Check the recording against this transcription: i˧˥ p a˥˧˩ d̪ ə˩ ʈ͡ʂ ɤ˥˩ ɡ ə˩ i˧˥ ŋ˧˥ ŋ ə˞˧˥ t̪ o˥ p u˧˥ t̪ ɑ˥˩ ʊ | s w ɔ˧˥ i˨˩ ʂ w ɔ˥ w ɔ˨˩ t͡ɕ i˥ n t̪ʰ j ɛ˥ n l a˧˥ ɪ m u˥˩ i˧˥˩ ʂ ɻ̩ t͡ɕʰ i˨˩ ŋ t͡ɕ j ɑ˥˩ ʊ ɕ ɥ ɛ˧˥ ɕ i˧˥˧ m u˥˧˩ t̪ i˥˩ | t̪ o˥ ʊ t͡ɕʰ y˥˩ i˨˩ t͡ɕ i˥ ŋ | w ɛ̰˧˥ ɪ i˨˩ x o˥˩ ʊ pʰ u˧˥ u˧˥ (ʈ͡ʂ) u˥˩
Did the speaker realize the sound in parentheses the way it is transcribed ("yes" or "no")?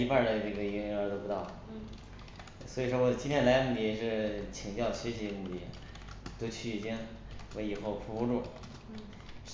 yes